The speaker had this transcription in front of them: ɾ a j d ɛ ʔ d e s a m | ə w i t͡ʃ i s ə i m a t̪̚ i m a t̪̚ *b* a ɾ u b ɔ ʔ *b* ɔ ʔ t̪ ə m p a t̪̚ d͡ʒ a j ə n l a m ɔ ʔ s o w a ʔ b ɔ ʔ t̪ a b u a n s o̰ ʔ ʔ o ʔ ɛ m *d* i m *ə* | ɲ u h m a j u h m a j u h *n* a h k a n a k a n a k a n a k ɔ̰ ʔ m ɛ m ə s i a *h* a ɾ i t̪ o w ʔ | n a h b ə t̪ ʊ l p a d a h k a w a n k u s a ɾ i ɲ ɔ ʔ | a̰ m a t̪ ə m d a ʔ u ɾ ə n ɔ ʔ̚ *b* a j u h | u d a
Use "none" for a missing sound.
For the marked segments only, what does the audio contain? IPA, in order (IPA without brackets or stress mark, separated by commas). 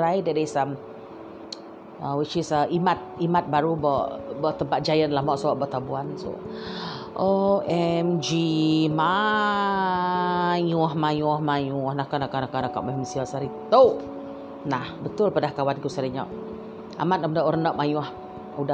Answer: b, b, d͡ʒ, a, n, s, m